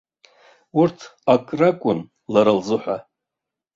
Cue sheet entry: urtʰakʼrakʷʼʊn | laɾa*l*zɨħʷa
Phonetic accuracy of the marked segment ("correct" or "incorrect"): correct